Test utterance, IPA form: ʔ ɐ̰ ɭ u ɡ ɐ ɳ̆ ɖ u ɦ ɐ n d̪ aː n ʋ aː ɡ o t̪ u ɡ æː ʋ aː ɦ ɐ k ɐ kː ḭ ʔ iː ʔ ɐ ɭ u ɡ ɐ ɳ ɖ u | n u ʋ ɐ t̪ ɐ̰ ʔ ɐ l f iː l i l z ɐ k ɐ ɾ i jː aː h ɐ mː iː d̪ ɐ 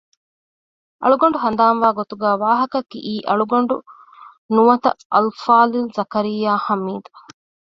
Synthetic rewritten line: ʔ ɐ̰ ɭ u ɡ ɐ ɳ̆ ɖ u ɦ ɐ n d̪ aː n ʋ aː ɡ o t̪ u ɡ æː ʋ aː ɦ ɐ k ɐ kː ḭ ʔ iː ʔ ɐ ɭ u ɡ ɐ ɳ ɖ u | n u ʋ ɐ t̪ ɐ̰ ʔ ɐ l f aː l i l z ɐ k ɐ ɾ i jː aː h ɐ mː iː d̪ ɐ